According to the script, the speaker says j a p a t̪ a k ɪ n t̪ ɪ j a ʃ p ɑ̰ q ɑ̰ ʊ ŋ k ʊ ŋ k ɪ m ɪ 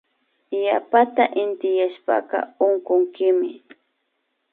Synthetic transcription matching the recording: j a p a t̪ a ʔ ɪ n t̪ ɪ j a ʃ p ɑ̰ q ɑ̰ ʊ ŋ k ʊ ŋ k ɪ m ɪ